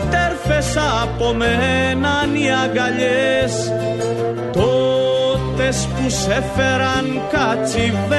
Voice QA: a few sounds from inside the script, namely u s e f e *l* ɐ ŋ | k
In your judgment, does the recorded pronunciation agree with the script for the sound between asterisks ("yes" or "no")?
no